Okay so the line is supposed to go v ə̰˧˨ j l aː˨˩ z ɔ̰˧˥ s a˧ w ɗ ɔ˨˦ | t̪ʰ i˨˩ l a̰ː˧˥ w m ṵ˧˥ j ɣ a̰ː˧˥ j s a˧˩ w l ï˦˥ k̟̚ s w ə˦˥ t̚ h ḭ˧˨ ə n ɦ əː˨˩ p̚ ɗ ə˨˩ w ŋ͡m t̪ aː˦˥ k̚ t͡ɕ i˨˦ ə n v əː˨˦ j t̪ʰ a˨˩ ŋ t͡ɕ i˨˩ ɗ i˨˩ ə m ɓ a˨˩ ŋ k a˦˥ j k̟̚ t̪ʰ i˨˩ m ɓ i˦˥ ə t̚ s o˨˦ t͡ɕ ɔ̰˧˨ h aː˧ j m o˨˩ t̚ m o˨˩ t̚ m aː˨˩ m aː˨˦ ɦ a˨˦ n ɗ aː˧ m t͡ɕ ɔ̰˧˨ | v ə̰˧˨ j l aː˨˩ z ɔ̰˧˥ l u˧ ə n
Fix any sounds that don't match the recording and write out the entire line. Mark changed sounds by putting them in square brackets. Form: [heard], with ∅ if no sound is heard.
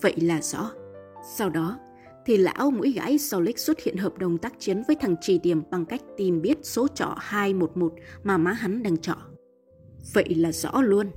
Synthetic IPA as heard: v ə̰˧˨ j l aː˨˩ z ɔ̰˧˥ s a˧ w ɗ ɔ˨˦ | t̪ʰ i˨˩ l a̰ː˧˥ w m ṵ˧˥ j ɣ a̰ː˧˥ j s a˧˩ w l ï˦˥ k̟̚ s w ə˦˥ t̚ h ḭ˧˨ ə n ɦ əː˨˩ p̚ ɗ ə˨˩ w ŋ͡m t̪ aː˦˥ k̚ t͡ɕ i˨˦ ə n v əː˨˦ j t̪ʰ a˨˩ ŋ t͡ɕ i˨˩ ɗ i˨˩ ə m ɓ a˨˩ ŋ k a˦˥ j k̟̚ [t̪] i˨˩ m ɓ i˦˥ ə t̚ s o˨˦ t͡ɕ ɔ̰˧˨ h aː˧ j m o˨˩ t̚ m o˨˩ t̚ m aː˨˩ m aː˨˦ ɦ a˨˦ n ɗ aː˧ [ŋ] t͡ɕ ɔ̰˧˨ | v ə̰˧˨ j l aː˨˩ z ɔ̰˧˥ l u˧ ə n